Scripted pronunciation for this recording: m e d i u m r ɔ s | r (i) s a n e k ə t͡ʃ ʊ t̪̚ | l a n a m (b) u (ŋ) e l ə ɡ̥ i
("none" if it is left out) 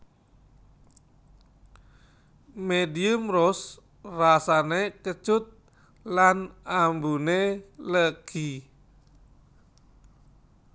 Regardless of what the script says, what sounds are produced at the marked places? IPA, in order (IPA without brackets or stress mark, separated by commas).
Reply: a, b, n